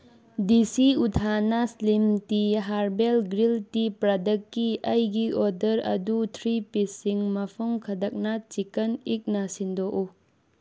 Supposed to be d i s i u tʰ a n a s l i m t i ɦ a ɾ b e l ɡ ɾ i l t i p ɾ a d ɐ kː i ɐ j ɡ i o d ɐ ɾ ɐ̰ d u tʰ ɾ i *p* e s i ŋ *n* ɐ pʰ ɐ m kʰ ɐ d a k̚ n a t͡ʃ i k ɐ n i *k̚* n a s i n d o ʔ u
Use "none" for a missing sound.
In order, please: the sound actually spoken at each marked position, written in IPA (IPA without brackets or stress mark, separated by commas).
p, m, k̚